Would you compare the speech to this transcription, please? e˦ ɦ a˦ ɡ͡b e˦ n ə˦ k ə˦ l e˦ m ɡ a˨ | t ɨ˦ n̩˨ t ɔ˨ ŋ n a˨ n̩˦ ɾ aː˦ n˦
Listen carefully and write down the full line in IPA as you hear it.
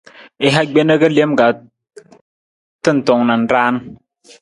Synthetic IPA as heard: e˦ ɦ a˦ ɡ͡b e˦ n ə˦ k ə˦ l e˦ m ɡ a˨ | t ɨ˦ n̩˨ t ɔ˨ ŋ n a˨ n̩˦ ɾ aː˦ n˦